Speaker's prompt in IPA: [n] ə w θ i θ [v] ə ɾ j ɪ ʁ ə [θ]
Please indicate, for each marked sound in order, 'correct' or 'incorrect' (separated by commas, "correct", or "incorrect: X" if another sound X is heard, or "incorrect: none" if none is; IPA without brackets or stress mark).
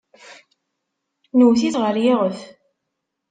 correct, incorrect: ʁ, correct